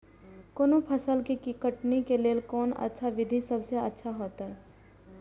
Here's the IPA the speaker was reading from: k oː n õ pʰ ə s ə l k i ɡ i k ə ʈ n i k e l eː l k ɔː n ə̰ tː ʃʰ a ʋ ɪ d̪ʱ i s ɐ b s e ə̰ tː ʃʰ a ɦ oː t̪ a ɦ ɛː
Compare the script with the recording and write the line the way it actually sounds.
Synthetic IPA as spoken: k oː n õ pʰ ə s ə l k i k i k ə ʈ n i k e l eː l k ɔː n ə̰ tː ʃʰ a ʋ ɪ d̪ʱ i s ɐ b s e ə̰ tː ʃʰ a ɦ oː t̪ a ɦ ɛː

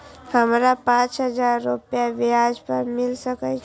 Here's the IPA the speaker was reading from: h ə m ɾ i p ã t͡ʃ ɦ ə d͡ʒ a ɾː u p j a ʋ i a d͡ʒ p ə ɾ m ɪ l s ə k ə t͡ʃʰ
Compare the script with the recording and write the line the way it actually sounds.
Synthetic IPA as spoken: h ə m ɾ a p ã t͡ʃ ɦ ə d͡ʒ a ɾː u p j a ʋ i a d͡ʒ p ə ɾ m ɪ l s ə k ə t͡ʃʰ

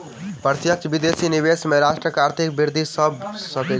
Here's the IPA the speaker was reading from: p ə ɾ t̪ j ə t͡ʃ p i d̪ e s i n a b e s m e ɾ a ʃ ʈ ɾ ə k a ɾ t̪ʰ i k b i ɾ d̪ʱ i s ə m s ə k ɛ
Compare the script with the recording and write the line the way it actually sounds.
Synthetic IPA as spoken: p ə ɾ t̪ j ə t͡ʃ b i d̪ e s i n i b e s m e ɾ a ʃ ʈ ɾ ə k a ɾ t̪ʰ i k b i ɾ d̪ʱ i s ə b s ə k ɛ

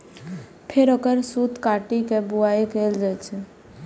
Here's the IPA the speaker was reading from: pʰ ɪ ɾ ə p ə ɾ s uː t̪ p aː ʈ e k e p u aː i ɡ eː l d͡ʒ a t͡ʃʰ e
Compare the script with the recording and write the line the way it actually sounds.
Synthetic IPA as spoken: pʰ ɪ ɾ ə k ə ɾ s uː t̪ k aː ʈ i k e b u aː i k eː l d͡ʒ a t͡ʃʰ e

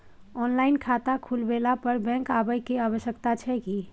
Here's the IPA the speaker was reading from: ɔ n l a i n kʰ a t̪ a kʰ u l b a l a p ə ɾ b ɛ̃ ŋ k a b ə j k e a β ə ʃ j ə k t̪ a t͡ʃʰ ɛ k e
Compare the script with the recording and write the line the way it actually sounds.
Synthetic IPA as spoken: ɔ n l a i n kʰ a t̪ a kʰ u l b e l a p ə ɾ b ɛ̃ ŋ k a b ə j k e a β ə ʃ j ə k t̪ a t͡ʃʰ ɛ k i

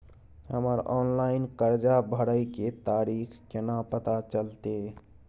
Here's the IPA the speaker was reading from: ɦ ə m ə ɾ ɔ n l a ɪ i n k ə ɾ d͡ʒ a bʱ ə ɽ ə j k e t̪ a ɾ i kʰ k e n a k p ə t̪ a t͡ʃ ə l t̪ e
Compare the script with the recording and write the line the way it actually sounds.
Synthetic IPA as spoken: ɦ ə m ə ɾ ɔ n l a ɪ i n k ə ɾ d͡ʒ a bʱ ə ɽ ə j k e t̪ a ɾ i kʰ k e n a p ə t̪ a t͡ʃ ə l t̪ e

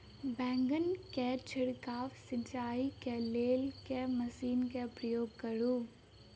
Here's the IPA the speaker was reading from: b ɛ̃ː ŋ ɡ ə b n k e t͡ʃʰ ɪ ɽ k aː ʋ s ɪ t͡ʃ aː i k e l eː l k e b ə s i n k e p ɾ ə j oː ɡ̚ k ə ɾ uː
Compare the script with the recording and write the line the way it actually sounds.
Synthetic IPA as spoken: b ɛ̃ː ŋ ɡ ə n k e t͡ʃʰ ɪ ɽ k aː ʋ s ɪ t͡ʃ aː i k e l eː l k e m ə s iː n k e p ɾ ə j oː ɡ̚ k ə ɾ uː

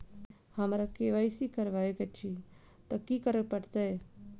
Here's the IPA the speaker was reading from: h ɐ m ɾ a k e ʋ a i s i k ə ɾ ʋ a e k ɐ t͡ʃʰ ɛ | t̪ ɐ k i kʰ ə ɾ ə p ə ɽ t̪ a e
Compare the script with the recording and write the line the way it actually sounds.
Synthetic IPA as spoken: h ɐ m ɾ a k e ʋ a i s i k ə ɾ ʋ a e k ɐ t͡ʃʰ i | t̪ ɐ k i k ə ɾ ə p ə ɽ t̪ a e

